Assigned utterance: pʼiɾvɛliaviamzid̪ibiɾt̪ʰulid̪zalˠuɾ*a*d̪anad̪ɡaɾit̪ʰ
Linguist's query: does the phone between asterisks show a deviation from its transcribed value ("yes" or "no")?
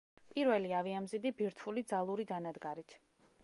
yes